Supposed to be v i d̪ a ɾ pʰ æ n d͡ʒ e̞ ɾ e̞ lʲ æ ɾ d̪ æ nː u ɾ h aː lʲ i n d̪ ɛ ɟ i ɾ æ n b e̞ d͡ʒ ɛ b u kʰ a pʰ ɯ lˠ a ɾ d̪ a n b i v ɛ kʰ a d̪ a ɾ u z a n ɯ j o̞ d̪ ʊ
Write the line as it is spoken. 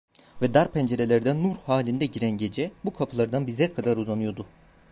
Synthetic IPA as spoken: v ɛ d̪ a ɾ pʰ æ n d͡ʒ e̞ ɾ e̞ lʲ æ ɾ d̪ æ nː u ɾ h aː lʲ i n d̪ ɛ ɟ i ɾ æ n ɟ e̞ d͡ʒ ɛ b u kʰ a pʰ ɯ lˠ a ɾ d̪ a n b i z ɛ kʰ a d̪ a ɾ u z a n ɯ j o̞ d̪ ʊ